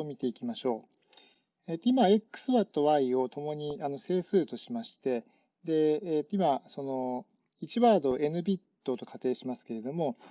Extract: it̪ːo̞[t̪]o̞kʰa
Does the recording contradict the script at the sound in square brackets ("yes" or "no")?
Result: no